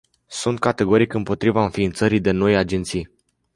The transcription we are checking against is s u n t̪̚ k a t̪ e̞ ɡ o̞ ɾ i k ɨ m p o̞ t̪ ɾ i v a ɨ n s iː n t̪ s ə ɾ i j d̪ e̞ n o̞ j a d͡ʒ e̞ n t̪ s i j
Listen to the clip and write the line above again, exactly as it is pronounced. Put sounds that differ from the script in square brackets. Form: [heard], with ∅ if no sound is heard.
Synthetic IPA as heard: s u n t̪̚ k a t̪ e̞ ɡ o̞ ɾ i k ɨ m p o̞ t̪ ɾ i v a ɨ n [f] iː n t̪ s ə ɾ i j d̪ e̞ n o̞ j a d͡ʒ e̞ n t̪ s i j